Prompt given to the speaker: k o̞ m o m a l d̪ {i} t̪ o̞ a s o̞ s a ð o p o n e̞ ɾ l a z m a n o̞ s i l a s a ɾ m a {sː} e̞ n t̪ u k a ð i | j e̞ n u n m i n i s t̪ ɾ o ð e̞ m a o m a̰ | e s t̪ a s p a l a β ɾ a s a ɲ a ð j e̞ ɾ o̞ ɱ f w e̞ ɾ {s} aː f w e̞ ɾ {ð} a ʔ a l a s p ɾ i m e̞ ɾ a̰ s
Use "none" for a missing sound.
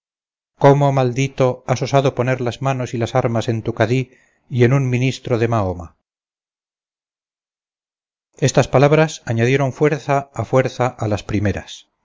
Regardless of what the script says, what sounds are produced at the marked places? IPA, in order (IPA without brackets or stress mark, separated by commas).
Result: i, s, θ, θ